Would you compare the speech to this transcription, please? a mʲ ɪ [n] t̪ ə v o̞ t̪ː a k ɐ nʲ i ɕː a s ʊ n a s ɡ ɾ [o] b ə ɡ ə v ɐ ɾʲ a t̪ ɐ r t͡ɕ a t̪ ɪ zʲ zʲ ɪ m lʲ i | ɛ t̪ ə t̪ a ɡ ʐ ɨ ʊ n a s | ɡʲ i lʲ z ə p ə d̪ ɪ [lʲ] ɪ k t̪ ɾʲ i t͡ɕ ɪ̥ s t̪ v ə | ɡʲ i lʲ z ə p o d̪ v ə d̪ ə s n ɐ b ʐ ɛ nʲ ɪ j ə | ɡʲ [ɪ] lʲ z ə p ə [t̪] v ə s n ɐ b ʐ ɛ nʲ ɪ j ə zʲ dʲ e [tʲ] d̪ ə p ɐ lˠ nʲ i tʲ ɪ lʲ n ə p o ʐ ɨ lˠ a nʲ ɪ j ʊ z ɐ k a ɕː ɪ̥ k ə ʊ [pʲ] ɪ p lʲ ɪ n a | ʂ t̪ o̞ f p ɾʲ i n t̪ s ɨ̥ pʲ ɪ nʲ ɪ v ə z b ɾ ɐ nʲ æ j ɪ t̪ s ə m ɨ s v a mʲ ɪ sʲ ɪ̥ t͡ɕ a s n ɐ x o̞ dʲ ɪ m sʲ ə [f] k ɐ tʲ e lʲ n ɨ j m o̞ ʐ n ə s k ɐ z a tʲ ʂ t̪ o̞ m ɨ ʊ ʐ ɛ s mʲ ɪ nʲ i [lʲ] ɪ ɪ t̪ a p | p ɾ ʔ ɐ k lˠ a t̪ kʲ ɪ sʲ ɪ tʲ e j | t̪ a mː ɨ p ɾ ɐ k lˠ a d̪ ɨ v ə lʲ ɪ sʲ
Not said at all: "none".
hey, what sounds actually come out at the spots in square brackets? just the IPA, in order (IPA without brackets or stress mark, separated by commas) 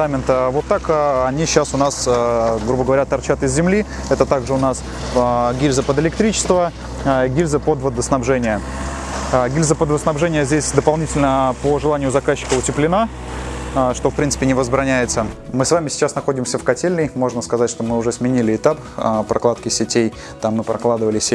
n, u, lʲ, i, d̪, sʲ, tʲ, f, lʲ